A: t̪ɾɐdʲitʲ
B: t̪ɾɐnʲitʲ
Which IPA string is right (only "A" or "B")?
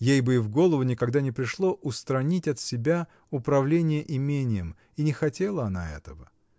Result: B